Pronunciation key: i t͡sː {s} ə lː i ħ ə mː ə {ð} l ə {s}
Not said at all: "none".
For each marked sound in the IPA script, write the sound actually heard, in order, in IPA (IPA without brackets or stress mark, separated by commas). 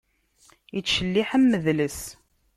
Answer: ʃ, ð, s